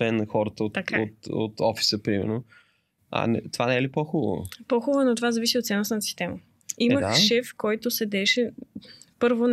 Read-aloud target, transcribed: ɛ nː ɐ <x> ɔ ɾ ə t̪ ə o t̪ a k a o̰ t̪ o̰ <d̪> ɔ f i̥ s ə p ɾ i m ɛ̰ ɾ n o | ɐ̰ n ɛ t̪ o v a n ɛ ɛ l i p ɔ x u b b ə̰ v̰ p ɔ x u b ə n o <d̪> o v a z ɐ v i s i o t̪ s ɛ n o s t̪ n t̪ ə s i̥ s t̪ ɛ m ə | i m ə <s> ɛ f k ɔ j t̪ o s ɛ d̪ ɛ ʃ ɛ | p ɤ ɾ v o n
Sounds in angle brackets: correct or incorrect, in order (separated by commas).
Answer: correct, incorrect, incorrect, incorrect